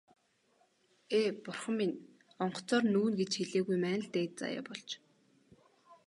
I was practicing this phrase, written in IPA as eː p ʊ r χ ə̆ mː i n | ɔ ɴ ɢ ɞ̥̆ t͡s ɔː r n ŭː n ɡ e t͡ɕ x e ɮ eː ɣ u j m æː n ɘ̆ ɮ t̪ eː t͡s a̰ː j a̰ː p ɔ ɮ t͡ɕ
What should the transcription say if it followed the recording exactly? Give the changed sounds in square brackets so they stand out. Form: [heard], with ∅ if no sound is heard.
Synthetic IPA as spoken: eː p ʊ r χ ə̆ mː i n | ɔ ɴ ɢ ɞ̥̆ t͡s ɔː r n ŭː n ɡ e t͡ɕ x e ɮ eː ɣ u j m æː n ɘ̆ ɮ t̪ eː t͡s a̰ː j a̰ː p ɔ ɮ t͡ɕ